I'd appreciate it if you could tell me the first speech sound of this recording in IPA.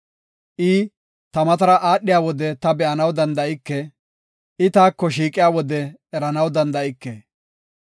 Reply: ʔ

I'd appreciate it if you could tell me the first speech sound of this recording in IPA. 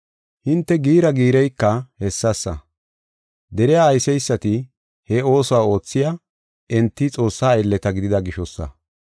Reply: h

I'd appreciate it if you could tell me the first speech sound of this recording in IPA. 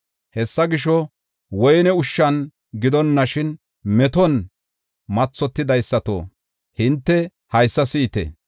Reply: h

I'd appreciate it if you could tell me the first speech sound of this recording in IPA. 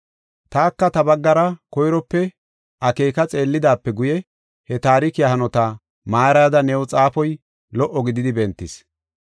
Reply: t̪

